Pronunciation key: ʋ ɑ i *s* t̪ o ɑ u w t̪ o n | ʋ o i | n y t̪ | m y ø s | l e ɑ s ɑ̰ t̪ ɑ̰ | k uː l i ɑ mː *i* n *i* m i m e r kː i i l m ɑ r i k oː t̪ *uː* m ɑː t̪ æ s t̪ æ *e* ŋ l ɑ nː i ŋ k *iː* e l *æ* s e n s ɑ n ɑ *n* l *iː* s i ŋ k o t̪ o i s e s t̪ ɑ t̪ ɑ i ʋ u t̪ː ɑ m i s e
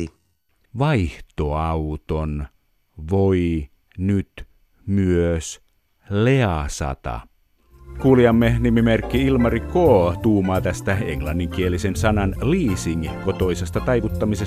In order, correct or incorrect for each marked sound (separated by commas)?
incorrect, incorrect, correct, correct, correct, incorrect, incorrect, correct, correct